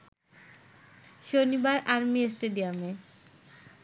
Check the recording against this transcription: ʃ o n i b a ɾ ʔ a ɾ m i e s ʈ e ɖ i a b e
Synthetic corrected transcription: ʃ o n i b a ɾ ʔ a ɾ m i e s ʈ e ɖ i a m e